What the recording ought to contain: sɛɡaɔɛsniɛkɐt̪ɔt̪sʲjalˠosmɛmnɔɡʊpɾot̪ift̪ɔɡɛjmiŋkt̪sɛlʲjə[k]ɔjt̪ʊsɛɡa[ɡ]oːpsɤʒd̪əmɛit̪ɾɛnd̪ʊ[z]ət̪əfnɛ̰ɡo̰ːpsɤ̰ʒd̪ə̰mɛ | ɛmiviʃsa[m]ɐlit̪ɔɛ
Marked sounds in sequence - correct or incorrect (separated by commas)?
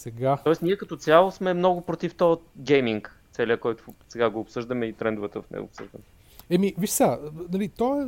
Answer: correct, correct, incorrect, incorrect